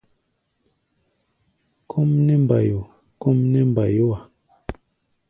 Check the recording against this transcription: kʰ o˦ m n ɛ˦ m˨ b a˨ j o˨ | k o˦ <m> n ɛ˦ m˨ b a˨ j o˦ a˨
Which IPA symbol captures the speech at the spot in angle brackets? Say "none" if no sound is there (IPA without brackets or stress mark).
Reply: m